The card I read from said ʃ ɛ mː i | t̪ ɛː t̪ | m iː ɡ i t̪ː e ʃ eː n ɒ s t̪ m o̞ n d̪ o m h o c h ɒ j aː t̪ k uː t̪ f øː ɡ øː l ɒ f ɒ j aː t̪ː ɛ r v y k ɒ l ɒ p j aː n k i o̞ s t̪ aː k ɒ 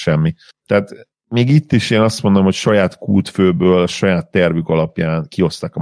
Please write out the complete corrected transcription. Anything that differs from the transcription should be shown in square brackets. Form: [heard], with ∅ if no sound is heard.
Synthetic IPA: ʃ ɛ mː i | t̪ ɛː t̪ | m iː ɡ i t̪ː [i] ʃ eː n ɒ s t̪ m o̞ n d̪ o m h o c [ʃ] ɒ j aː t̪ k uː t̪ f øː [b] øː l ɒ [ʃ] ɒ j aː t̪ː ɛ r v y k ɒ l ɒ p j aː n k i o̞ s t̪ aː k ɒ